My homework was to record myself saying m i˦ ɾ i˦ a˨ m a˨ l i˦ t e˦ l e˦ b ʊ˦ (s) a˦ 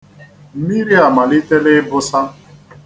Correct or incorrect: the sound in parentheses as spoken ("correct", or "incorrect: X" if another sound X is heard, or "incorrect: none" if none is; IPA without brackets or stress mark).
correct